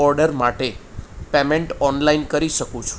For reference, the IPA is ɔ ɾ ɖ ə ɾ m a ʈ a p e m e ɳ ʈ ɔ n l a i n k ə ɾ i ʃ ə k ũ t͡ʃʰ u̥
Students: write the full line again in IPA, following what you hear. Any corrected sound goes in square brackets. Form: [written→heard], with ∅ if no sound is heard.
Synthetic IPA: ɔ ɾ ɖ ə ɾ m a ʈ [a→e] p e m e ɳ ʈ ɔ n l a i n k ə ɾ i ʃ ə k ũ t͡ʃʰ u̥